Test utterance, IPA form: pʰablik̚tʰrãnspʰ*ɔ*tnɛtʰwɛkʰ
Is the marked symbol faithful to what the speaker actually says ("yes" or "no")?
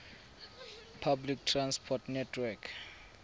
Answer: yes